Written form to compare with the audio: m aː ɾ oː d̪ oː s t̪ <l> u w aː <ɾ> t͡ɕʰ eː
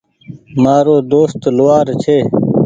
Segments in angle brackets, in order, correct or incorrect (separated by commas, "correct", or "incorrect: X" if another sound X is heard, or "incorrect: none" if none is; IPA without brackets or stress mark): correct, correct